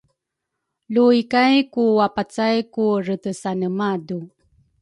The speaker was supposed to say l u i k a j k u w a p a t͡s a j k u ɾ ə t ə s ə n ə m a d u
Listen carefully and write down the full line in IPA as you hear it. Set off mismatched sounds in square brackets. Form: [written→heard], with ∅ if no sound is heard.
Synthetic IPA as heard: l u i k a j k u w a p a t͡s a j k u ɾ ə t ə s [ə→a] n ə m a d u